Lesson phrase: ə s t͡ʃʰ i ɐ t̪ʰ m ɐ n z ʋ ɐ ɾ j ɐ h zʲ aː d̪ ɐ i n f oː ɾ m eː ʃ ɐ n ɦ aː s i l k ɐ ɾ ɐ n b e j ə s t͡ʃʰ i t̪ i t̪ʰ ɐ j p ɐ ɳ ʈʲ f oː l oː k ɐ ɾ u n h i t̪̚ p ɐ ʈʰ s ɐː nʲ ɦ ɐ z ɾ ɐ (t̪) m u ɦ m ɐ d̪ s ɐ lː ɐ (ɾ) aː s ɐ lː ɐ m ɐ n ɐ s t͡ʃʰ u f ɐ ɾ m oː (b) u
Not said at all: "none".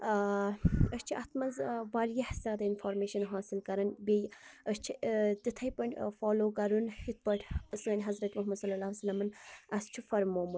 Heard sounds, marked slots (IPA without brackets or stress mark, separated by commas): t̪, l, m